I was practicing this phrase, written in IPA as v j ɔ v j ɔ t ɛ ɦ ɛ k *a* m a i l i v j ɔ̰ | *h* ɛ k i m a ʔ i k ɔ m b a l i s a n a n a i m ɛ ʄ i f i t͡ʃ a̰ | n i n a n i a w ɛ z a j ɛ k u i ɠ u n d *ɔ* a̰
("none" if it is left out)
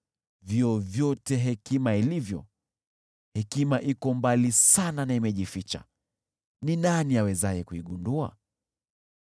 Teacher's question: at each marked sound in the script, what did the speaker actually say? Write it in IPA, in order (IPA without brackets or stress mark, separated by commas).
i, h, u